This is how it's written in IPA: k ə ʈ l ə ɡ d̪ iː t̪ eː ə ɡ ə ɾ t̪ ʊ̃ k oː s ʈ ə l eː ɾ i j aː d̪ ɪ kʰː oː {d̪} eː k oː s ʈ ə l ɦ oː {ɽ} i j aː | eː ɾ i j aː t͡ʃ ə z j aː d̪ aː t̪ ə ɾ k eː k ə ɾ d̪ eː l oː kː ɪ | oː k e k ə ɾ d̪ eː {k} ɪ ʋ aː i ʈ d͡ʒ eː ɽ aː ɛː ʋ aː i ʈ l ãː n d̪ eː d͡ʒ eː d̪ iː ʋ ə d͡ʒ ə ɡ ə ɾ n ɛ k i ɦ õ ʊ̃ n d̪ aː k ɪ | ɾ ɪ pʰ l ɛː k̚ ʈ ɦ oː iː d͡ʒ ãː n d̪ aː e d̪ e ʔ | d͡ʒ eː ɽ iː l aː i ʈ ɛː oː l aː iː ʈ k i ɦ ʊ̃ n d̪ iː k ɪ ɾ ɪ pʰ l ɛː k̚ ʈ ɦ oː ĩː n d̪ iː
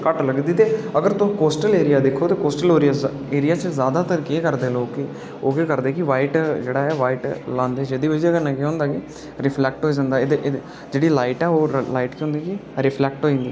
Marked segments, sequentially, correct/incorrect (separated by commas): incorrect, incorrect, correct